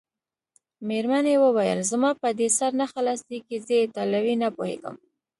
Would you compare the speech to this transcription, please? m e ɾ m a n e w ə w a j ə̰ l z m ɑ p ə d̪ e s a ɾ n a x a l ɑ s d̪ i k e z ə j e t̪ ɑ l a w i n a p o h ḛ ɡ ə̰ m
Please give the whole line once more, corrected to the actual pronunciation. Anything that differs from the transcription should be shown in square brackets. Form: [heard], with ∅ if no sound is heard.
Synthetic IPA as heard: m e ɾ m a n e w ə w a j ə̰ l z m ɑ p ə d̪ e s a ɾ n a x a l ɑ s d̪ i k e z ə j e t̪ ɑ l a w i n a p o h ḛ ɡ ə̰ m